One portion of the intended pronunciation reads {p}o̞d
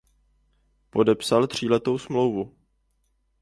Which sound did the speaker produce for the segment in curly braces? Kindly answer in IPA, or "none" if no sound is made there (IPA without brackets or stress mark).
p